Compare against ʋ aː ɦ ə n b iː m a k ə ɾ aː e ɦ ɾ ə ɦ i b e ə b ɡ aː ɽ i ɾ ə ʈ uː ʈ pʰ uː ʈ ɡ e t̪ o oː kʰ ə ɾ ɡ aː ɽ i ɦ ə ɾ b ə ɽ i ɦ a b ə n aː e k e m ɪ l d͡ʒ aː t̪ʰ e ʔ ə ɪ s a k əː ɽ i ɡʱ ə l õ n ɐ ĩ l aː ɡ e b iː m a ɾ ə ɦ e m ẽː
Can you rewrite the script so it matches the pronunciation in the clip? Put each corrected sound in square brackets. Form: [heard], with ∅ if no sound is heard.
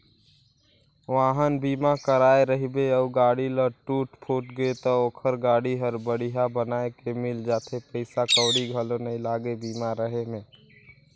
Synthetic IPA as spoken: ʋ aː ɦ ə n b iː m a k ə ɾ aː e [∅] ɾ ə ɦ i b e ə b ɡ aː ɽ i [l] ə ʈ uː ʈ pʰ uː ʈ ɡ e t̪ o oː kʰ ə ɾ ɡ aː ɽ i ɦ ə ɾ b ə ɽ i ɦ a b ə n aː e k e m ɪ l d͡ʒ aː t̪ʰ e [p] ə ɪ s a k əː ɽ i ɡʱ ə l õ n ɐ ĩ l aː ɡ e b iː m a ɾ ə ɦ e m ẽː